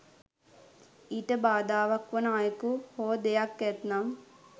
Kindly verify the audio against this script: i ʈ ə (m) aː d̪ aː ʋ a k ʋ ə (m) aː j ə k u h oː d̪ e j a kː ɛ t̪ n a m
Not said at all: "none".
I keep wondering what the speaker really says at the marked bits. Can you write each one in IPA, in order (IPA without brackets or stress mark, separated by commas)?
b, n